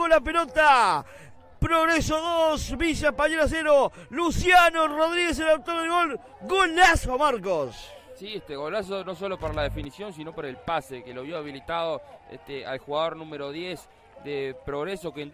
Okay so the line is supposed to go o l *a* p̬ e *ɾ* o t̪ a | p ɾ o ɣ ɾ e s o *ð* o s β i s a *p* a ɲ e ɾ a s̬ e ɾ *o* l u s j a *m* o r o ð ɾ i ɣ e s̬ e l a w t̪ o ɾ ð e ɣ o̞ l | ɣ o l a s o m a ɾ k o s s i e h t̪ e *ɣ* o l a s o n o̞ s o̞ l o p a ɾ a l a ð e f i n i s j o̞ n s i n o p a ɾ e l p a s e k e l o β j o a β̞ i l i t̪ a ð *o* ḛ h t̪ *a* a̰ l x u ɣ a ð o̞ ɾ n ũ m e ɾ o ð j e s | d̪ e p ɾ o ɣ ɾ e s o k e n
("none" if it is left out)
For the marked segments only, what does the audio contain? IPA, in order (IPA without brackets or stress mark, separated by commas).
a, l, ð, p, o, n, ɣ, o, e